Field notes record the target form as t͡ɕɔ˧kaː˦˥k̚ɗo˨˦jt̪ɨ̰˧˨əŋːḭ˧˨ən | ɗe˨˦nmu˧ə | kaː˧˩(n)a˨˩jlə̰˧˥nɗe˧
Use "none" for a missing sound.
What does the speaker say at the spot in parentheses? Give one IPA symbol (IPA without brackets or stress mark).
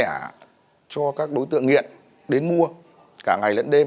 ŋ